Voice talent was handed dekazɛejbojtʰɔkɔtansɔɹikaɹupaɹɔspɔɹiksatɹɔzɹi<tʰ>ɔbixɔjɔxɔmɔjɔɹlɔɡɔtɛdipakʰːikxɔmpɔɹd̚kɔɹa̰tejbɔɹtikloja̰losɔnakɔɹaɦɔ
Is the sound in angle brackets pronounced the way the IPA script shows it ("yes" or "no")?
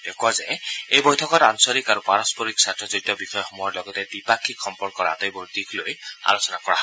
no